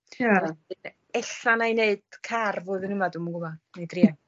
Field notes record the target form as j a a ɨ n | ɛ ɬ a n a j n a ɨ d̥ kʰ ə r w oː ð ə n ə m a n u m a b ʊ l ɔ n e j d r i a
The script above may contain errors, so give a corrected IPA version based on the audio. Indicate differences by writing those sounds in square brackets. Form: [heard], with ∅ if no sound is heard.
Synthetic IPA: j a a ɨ n | ɛ ɬ a n a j n [e] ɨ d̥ kʰ [a] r [v] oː ð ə n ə m a [d] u m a [ɡ] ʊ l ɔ n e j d r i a